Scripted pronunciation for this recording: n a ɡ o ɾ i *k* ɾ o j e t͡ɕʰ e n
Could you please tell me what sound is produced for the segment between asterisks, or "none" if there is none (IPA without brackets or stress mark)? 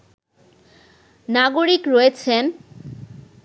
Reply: k